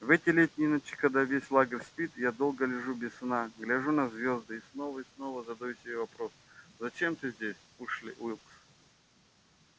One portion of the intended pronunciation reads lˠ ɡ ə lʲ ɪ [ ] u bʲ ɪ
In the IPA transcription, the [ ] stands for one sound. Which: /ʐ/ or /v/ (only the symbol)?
ʐ